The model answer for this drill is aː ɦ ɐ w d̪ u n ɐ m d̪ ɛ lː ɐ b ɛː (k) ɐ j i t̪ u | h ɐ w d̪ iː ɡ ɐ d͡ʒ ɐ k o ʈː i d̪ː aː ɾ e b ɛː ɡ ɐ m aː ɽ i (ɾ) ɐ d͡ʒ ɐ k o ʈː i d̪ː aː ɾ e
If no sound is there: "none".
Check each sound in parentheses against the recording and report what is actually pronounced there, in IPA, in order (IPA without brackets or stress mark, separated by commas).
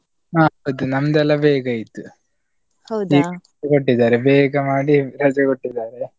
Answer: ɡ, ɾ